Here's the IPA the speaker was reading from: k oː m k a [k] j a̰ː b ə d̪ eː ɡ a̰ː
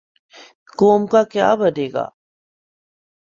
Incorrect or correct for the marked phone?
correct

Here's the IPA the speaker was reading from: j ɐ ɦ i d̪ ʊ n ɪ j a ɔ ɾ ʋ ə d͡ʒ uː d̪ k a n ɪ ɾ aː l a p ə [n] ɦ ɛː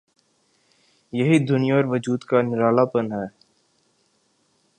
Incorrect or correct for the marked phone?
correct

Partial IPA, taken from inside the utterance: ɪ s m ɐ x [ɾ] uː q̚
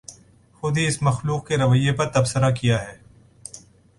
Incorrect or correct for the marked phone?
incorrect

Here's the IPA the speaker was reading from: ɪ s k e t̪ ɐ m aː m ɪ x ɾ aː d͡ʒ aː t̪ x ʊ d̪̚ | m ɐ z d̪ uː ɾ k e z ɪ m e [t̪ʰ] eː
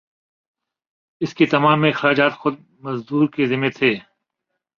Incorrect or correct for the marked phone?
correct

